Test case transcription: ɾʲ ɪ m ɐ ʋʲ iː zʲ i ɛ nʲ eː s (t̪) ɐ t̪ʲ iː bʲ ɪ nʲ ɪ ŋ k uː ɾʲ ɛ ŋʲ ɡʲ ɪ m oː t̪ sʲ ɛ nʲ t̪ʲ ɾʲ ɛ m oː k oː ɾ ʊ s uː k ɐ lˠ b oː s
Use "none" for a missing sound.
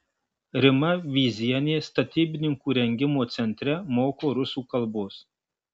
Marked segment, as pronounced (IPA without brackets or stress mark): t̪